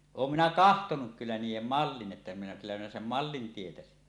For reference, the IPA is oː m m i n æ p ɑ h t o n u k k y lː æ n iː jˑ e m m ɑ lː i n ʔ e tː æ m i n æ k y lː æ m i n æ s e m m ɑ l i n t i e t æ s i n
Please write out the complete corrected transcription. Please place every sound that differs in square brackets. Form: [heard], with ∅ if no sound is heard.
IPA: oː m m i n æ [k] ɑ h t o n u k k y lː æ n iː jˑ e m m ɑ lː i n ʔ e tː æ m i n æ k y lː æ m i n æ s e m m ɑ [lː] i n t i e t æ s i n

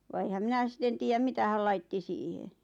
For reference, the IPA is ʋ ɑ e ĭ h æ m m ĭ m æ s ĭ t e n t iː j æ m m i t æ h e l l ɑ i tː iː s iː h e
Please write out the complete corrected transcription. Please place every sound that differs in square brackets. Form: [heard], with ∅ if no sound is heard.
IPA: ʋ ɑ e ĭ h æ m m ĭ [n] æ s ĭ t e n t iː j æ m m i t æ h [æ] l l ɑ i tː [i] s iː h e

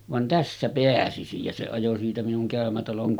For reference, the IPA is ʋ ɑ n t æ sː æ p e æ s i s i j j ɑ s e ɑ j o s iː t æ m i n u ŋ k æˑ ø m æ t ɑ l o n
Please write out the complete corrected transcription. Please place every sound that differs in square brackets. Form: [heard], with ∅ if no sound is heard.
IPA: ʋ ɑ n t æ sː æ p e æ s i s i j j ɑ s e ɑ j o s iː t æ m i n u ŋ k æˑ ø m æ t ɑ l o [ŋ]

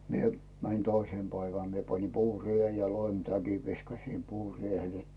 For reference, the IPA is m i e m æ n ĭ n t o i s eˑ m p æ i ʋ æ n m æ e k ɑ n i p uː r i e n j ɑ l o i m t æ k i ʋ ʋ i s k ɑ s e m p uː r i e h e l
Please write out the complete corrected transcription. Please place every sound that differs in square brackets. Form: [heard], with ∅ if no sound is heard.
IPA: m i e m æ n ĭ n t o i s eˑ m p æ i ʋ æ n m [i] e [p] ɑ n i p uː r i e n j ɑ l o i m t æ k i ʋ ʋ i s k ɑ s [i] m p uː r i e h e l

